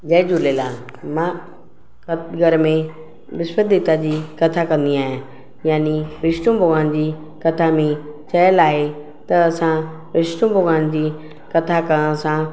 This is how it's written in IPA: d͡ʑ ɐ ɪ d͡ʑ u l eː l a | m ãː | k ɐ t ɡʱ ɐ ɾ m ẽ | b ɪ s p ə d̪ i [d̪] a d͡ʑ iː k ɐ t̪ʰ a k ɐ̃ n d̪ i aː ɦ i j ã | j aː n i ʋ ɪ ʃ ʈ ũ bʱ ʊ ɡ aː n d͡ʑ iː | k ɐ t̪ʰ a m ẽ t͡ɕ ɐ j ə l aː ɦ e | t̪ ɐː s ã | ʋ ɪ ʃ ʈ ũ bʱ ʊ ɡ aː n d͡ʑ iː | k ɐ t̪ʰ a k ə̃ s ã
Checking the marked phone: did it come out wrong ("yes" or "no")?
yes